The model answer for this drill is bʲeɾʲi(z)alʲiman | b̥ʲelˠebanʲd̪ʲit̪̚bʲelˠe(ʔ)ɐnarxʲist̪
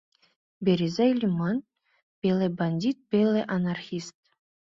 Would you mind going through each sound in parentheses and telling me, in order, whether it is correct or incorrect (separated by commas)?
correct, correct